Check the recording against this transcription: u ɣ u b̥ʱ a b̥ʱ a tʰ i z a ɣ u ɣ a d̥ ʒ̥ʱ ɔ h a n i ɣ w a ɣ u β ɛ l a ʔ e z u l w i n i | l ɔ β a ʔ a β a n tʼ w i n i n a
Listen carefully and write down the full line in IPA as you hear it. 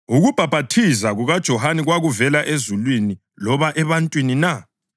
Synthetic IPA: u ɣ u b̥ʱ a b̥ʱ a tʰ i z a ɣ u ɣ a d̥ ʒ̥ʱ ɔ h a n i ɣ w a ɣ u v ɛ l a ʔ e z u l w i n i | l ɔ β a ʔ ɛ β a n tʼ w i n i n a